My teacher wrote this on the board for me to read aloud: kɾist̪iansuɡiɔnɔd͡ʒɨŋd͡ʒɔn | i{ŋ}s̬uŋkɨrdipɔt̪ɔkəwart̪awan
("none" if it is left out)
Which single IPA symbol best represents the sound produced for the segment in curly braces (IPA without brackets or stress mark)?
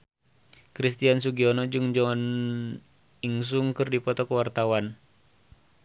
ŋ